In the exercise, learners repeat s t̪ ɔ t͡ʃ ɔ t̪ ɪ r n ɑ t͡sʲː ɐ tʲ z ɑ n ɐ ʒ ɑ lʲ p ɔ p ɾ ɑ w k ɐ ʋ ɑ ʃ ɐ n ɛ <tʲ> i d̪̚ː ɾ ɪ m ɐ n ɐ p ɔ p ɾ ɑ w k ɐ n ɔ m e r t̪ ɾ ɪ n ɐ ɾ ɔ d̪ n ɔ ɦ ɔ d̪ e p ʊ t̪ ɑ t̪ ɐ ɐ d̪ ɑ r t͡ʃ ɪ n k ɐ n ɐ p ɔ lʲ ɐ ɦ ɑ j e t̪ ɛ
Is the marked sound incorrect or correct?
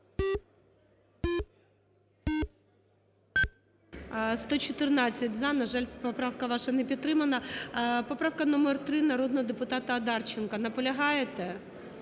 incorrect